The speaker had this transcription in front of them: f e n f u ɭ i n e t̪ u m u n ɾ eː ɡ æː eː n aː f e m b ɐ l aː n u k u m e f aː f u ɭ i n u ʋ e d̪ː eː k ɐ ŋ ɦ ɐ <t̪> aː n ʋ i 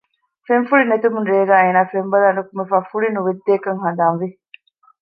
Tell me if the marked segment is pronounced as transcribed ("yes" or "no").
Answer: no